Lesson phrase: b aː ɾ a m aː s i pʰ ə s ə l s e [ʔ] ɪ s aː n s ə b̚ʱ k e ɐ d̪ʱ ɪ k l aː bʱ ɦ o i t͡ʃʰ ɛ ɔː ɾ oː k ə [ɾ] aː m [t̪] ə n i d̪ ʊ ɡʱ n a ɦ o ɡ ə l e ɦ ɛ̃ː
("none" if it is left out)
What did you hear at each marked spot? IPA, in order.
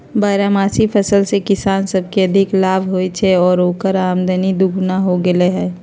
k, ɾ, d̪

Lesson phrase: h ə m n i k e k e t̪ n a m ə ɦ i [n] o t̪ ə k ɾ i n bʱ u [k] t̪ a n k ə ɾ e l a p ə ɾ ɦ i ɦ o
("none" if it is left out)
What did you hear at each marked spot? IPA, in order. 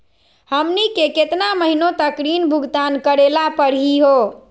n, ɡ

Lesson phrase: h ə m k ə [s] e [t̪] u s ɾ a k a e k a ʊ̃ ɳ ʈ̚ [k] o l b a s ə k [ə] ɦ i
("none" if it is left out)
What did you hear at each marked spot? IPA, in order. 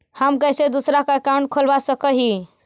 s, d̪, kʰ, ə

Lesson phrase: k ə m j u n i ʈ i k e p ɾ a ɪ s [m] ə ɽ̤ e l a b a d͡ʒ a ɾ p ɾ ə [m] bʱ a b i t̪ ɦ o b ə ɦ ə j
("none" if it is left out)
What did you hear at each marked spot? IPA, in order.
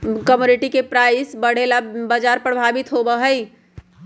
b, none

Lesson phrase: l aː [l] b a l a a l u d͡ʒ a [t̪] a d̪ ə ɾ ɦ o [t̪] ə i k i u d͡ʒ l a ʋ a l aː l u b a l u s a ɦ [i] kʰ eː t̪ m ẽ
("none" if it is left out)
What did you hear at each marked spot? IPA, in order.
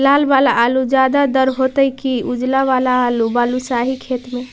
l, d̪, t̪, i

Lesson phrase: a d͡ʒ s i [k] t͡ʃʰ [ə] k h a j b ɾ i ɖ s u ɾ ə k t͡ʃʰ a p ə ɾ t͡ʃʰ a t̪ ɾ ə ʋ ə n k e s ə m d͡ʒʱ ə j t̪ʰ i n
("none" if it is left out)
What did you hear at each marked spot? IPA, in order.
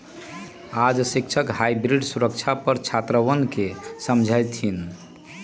k, ə

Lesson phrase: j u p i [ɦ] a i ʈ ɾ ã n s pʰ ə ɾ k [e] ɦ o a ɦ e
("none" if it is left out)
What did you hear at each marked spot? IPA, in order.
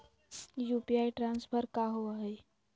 none, a

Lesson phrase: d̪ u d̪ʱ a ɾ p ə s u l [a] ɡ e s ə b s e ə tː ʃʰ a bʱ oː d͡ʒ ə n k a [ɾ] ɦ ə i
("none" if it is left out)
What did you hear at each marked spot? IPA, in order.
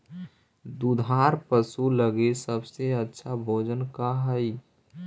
ə, none

